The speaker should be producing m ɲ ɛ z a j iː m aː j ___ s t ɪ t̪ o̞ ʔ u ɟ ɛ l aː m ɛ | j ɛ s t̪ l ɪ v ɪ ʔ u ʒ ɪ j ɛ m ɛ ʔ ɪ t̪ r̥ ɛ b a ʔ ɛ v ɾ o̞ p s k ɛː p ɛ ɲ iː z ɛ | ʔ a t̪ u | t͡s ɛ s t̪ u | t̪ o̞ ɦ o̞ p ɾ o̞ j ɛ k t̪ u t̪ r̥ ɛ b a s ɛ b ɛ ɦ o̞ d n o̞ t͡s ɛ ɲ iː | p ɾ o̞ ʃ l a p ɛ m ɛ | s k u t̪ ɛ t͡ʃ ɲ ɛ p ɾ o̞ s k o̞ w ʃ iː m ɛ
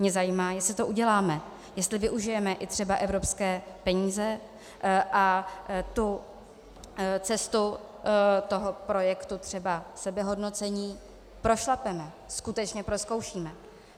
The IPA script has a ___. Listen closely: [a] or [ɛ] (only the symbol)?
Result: ɛ